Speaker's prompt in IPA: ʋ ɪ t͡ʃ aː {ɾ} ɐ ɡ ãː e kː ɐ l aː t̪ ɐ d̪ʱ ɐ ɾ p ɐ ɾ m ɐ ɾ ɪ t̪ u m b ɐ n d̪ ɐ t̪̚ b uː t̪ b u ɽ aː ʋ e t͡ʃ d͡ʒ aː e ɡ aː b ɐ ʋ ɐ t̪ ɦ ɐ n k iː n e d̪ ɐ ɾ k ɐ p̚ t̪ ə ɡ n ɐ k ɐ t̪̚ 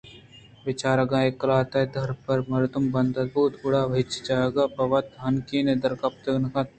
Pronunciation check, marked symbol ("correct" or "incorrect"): correct